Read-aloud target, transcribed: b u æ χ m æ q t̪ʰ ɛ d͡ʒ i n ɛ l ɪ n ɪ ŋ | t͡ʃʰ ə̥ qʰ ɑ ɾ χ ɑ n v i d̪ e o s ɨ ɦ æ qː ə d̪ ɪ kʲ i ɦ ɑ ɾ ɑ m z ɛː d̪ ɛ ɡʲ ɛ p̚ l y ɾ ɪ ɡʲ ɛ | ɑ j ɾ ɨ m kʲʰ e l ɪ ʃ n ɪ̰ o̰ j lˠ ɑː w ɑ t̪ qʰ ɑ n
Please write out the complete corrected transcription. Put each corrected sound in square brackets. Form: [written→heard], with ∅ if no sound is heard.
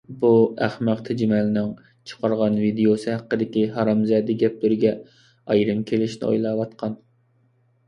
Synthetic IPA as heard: b u æ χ m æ q t̪ʰ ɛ d͡ʒ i [n→m] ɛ l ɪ n ɪ ŋ | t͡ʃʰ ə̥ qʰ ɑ ɾ [χ→ʁ] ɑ n v i d̪ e o s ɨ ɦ æ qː ə d̪ ɪ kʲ i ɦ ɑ ɾ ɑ m z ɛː d̪ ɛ ɡʲ ɛ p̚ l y ɾ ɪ ɡʲ ɛ | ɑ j ɾ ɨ m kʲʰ e l ɪ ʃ n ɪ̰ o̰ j lˠ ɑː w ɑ t̪ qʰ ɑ n